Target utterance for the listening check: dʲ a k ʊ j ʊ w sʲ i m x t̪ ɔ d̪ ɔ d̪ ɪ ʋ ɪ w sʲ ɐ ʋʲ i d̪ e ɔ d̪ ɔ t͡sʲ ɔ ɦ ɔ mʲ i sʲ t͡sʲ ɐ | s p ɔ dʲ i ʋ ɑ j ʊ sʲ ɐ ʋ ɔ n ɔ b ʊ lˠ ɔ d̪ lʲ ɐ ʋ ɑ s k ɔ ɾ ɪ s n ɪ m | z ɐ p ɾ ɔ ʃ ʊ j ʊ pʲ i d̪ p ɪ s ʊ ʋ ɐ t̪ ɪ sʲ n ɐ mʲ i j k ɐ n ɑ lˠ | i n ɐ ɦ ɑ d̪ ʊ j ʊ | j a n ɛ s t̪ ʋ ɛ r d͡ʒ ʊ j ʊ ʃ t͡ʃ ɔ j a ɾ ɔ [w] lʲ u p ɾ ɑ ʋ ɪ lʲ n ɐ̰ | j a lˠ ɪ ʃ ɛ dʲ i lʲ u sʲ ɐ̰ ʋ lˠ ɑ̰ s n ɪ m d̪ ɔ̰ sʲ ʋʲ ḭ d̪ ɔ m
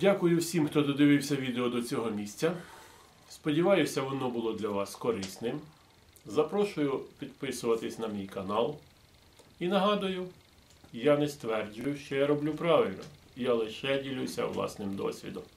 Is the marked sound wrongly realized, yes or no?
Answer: yes